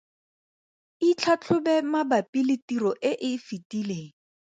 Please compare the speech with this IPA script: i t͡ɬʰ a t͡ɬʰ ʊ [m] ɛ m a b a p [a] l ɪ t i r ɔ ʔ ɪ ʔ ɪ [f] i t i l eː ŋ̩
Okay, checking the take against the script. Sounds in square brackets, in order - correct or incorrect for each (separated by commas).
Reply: incorrect, incorrect, correct